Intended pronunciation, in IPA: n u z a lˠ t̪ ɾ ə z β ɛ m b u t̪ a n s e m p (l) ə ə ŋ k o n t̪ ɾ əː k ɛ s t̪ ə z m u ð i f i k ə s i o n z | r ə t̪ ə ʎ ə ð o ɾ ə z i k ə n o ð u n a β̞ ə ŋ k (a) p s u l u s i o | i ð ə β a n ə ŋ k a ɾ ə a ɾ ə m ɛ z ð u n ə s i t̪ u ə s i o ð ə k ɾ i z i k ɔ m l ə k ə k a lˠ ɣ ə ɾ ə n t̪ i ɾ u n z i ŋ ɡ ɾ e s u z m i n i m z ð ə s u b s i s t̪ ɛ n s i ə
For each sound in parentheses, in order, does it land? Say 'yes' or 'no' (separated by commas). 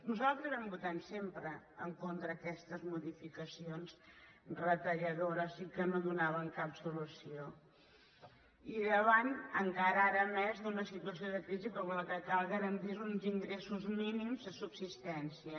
no, yes